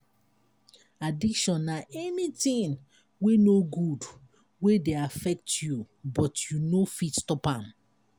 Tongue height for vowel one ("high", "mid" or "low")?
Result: low